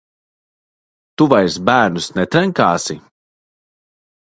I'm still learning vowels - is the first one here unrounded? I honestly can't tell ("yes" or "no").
no